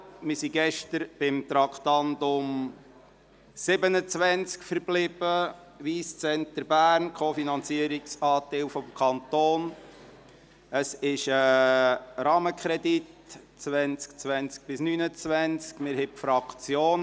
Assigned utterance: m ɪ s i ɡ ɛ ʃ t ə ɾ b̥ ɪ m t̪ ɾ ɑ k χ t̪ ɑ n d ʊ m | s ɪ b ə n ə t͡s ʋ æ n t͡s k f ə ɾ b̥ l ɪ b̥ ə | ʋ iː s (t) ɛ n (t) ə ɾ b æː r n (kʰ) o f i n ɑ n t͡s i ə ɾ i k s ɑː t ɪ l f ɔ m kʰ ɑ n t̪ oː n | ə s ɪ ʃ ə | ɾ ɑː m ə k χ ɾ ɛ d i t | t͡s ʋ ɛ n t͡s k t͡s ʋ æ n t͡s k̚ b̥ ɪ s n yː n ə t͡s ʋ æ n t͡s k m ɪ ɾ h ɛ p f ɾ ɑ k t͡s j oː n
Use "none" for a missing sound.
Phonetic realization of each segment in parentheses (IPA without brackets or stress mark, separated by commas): t͡s, t, kʰ